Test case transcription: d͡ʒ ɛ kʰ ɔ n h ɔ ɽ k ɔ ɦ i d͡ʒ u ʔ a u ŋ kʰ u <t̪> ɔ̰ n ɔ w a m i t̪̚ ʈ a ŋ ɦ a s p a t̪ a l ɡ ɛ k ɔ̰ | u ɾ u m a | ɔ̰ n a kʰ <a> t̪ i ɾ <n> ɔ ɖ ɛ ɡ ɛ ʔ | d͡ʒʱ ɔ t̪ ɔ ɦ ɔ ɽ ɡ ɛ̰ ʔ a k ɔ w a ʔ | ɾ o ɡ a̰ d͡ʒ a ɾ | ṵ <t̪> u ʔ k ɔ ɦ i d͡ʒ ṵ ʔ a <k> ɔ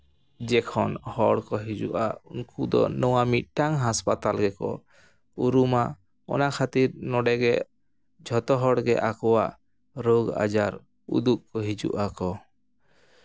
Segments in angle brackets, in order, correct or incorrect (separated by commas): incorrect, correct, correct, incorrect, correct